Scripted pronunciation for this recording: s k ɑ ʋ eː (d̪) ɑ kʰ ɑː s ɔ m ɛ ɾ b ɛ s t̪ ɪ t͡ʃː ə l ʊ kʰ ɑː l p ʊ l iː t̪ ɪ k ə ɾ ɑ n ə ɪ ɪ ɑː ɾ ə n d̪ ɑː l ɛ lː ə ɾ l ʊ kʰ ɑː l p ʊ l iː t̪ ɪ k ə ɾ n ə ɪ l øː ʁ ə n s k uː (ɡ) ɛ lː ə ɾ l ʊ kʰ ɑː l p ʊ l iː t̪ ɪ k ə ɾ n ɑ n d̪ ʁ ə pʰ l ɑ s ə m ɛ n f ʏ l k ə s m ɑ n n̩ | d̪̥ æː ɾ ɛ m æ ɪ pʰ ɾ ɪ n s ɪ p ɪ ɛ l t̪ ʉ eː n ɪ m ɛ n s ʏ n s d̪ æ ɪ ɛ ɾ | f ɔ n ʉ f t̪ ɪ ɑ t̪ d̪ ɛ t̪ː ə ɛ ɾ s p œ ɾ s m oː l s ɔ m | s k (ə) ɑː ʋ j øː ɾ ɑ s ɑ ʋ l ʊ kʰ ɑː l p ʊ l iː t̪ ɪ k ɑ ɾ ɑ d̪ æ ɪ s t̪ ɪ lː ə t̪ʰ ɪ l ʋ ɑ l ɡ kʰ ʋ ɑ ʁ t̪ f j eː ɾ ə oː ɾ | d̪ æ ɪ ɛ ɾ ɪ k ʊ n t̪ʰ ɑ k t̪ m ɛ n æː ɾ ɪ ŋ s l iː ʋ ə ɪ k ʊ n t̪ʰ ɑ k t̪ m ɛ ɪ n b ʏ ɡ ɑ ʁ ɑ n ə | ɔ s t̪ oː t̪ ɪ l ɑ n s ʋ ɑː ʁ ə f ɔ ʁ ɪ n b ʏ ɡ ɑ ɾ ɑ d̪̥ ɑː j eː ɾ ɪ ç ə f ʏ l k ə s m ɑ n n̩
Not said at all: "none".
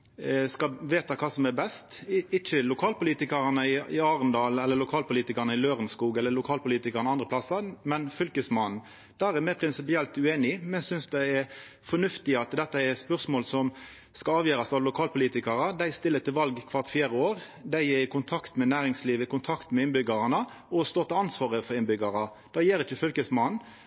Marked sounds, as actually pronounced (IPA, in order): t̪, ɡ, ɑ

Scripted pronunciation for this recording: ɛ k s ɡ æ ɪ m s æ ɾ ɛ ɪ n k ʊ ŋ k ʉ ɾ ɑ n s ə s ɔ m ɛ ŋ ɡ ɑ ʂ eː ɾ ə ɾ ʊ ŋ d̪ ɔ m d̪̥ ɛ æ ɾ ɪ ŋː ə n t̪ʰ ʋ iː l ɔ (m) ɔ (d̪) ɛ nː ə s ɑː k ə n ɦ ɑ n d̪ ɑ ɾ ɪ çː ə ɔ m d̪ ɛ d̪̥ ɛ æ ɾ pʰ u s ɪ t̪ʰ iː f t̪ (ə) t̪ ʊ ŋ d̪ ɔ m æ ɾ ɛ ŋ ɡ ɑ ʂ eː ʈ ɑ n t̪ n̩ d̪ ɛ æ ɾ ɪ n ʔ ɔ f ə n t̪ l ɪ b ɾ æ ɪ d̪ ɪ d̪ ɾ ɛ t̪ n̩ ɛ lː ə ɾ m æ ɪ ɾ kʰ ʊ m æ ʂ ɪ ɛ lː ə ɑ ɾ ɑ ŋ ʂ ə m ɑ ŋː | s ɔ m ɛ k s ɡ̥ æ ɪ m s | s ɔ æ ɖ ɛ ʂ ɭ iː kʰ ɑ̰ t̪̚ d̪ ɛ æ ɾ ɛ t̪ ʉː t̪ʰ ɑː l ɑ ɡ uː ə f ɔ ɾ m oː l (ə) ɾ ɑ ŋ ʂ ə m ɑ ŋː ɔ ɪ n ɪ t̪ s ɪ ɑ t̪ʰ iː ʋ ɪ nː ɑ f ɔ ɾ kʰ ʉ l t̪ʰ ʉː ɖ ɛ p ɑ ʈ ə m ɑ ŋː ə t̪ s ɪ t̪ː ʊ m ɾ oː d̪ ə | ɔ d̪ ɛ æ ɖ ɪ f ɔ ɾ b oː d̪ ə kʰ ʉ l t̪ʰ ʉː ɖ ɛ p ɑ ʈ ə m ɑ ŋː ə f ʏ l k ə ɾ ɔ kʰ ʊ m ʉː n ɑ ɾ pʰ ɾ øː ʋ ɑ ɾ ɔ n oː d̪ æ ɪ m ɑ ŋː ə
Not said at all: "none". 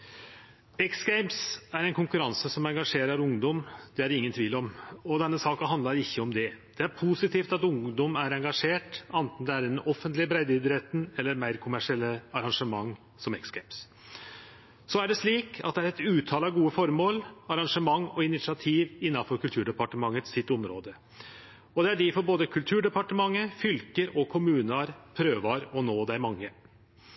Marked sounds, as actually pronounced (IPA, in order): m, d̪, ɑ, ɑ

